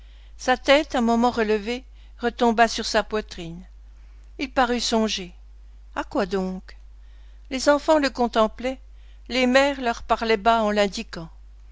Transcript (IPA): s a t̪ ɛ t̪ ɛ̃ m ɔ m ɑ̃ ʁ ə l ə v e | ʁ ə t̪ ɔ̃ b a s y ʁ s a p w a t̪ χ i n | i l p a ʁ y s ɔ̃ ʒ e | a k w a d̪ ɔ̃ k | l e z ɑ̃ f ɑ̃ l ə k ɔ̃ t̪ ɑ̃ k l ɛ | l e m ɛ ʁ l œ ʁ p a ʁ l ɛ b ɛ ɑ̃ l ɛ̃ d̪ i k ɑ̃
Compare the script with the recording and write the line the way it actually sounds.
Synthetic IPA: s a t̪ ɛ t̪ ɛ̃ m ɔ m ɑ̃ ʁ ə l ə v e | ʁ ə t̪ ɔ̃ b a s y ʁ s a p w a t̪ χ i n | i l p a ʁ y s ɔ̃ ʒ e | a k w a d̪ ɔ̃ k | l e z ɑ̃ f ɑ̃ l ə k ɔ̃ t̪ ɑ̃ p l ɛ | l e m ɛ ʁ l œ ʁ p a ʁ l ɛ b a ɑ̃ l ɛ̃ d̪ i k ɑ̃